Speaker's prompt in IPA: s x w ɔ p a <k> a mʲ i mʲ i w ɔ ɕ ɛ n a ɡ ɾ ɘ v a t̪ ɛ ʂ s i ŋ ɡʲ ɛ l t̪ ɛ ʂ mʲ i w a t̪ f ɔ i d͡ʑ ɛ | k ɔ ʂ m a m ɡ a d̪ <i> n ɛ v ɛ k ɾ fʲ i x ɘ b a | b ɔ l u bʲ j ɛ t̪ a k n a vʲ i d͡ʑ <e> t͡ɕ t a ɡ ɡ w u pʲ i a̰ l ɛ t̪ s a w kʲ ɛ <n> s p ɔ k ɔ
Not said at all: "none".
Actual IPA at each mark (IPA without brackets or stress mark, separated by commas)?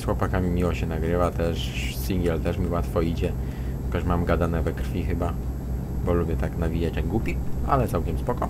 k, a, a, m